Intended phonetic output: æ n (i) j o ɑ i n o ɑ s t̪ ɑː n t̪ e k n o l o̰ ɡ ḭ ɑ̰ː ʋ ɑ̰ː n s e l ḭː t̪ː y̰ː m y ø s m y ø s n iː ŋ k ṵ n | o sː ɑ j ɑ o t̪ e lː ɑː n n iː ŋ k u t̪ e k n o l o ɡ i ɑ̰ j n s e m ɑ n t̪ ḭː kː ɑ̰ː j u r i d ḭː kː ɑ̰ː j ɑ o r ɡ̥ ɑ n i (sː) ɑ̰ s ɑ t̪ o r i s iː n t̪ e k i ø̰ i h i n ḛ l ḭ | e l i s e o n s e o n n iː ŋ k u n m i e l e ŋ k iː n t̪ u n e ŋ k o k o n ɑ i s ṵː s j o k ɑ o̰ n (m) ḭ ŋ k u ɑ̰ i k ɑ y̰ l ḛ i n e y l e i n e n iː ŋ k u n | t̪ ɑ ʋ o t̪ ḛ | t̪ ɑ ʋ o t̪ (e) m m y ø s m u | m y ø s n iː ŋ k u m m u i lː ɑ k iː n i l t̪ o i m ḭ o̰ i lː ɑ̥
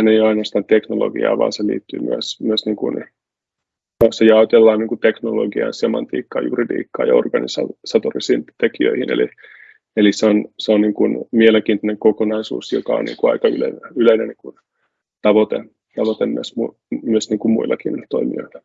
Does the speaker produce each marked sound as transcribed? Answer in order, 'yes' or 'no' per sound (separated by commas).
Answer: no, no, no, yes